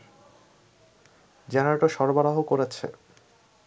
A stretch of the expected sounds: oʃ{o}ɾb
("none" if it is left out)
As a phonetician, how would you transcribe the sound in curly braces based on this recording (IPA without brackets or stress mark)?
ɔ